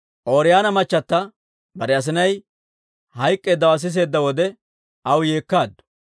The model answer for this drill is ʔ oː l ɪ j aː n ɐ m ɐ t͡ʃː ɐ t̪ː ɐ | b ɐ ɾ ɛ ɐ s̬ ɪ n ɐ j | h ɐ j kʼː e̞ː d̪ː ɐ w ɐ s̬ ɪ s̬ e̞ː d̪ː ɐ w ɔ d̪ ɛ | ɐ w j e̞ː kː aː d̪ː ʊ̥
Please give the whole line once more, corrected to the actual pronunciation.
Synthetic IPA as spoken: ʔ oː ɾ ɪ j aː n ɐ m ɐ t͡ʃː ɐ t̪ː ɐ | b ɐ ɾ ɛ ɐ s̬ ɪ n ɐ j | h ɐ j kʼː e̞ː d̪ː ɐ w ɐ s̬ ɪ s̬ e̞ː d̪ː ɐ w ɔ d̪ ɛ | ɐ w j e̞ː kː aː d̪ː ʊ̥